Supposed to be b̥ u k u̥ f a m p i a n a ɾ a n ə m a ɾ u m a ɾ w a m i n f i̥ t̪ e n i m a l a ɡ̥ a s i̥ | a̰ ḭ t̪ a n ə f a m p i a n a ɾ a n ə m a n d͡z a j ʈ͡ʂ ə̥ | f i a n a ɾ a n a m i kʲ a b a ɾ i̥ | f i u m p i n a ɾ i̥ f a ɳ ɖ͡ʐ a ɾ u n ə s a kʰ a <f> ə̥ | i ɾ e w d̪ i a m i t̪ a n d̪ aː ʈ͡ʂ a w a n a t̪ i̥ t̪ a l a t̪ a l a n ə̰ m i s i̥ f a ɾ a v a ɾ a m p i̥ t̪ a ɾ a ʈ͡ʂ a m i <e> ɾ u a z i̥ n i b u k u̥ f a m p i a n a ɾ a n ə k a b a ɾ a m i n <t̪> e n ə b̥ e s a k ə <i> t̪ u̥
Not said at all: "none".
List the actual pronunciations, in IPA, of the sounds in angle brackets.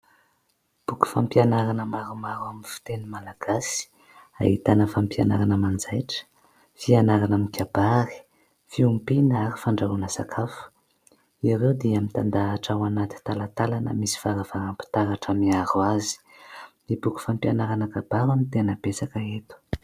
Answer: f, a, t̪, e

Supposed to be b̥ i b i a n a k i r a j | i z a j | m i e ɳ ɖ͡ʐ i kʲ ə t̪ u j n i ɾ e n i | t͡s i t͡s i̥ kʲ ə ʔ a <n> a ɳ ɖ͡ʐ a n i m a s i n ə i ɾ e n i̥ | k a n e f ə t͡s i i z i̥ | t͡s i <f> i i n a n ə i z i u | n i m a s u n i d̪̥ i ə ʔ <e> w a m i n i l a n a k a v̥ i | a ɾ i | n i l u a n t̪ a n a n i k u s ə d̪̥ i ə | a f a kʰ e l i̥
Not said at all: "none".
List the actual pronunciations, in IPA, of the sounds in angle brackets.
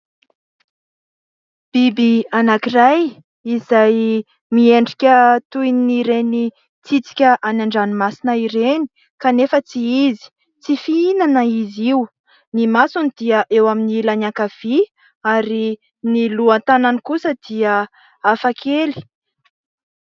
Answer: n, f, e

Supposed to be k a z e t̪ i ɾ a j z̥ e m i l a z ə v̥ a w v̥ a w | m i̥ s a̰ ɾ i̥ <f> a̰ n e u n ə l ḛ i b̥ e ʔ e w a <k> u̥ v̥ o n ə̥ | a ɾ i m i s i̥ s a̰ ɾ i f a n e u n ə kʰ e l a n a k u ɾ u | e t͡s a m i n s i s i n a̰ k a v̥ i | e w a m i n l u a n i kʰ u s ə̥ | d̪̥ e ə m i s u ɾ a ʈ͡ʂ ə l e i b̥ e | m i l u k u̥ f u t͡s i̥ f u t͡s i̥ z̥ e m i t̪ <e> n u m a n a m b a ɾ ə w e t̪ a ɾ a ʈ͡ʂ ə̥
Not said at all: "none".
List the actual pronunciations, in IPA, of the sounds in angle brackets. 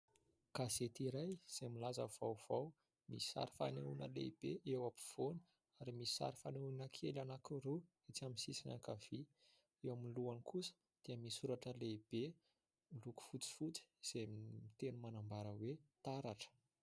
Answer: f, p, e

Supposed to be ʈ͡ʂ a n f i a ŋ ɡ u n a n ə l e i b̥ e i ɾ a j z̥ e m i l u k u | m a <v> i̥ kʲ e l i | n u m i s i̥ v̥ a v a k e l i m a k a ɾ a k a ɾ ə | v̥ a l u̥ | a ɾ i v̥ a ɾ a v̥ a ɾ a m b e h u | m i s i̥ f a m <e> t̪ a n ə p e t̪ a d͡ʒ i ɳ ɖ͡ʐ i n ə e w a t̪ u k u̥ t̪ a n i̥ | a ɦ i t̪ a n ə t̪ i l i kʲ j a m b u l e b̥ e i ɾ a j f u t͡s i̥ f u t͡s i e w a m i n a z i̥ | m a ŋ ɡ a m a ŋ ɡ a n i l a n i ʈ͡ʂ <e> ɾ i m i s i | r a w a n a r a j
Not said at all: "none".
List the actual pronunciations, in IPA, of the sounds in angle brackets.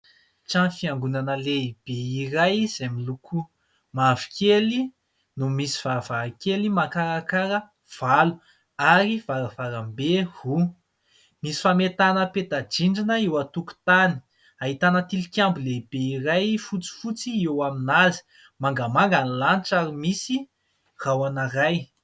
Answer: v, e, a

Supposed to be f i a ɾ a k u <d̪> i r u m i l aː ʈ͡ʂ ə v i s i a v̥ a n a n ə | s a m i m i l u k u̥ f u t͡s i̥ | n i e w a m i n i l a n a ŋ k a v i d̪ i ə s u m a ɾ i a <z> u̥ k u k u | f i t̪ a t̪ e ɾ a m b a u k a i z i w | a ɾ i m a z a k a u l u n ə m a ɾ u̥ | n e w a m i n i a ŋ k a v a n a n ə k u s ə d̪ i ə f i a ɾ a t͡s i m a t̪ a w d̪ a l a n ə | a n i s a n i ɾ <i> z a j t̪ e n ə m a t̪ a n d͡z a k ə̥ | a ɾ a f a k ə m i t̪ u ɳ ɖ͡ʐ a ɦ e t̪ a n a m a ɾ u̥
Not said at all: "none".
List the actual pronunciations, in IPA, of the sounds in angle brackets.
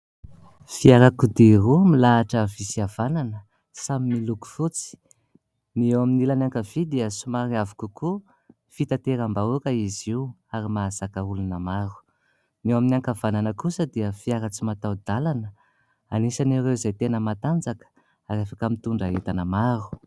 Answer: d̪, v, e

